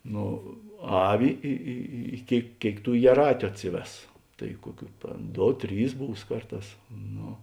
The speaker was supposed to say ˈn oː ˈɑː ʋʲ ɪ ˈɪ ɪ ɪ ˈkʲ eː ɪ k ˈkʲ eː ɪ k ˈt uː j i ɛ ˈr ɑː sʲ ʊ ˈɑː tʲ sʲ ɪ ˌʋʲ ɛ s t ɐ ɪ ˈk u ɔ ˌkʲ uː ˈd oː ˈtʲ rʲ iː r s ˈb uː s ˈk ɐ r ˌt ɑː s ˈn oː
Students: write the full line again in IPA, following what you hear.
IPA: ˈn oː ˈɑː ʋʲ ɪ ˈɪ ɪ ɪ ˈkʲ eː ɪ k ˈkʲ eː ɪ k ˈt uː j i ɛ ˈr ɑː tʲ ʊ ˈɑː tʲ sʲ ɪ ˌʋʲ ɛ s t ɐ ɪ ˈk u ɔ ˌkʲ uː ˈd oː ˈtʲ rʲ iː s ˈb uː s ˈk ɐ r ˌt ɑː s ˈn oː

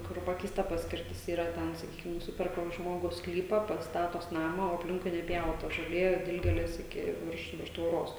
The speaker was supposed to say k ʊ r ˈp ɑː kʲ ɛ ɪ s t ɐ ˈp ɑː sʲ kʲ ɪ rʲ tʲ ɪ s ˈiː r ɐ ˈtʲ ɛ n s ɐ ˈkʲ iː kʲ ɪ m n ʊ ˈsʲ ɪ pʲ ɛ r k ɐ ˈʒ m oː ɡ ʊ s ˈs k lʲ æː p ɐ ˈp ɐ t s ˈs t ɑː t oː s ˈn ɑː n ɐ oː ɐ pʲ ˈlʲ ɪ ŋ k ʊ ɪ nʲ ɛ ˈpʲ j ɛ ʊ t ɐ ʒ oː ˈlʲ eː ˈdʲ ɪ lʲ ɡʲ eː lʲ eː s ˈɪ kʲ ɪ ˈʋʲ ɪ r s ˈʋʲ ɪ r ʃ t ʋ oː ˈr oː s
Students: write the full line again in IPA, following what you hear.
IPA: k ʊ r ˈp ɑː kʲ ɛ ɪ s t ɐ ˈp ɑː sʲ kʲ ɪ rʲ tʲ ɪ s ˈiː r ɐ ˈtʲ ɛ n s ɐ ˈkʲ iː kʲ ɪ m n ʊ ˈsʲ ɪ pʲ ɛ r k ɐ ˈʒ m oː ɡ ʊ s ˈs k lʲ iː p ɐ ˈp ɐ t s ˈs t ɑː t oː s ˈn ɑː m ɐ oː ɐ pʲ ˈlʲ ɪ ŋ k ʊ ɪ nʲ ɛ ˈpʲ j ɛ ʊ t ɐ ʒ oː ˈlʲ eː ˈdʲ ɪ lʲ ɡʲ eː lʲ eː s ˈɪ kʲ ɪ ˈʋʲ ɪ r ʃ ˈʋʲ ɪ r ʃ t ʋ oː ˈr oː s

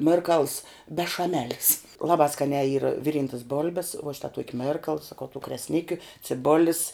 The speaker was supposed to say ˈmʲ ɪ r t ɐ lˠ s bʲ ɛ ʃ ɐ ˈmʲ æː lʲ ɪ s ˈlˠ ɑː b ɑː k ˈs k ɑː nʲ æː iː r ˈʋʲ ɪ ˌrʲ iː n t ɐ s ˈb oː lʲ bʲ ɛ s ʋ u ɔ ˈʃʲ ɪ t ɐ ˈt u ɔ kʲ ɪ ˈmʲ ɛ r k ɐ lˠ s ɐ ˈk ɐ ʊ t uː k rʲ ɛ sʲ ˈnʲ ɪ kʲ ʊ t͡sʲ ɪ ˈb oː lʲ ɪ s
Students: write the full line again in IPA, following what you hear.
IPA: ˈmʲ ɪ r k ɐ lˠ s bʲ ɛ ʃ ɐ ˈmʲ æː lʲ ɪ s ˈlˠ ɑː b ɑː ˈs k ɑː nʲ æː iː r ˈʋʲ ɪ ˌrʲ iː n t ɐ s ˈb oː lʲ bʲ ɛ s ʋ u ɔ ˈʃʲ ɪ t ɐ ˈt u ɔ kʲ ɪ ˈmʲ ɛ r k ɐ lˠ s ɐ ˈk ɐ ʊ t uː k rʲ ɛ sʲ ˈnʲ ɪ kʲ ʊ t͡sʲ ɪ ˈb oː lʲ ɪ s

